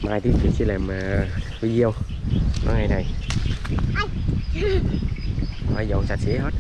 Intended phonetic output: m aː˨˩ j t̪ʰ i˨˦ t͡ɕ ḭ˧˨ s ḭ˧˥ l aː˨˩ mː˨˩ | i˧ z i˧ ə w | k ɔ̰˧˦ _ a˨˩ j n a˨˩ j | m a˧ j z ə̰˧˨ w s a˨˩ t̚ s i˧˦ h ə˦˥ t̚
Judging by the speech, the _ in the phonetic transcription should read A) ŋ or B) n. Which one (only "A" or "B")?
A